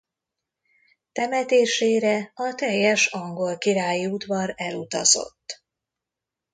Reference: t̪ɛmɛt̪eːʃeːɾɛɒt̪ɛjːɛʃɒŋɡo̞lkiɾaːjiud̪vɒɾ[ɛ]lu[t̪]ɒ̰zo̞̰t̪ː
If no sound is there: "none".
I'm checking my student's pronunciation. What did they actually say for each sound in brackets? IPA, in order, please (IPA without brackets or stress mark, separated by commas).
ɛ, t̪